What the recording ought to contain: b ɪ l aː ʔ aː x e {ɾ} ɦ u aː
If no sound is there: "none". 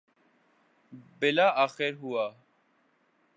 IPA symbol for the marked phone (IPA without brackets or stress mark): ɾ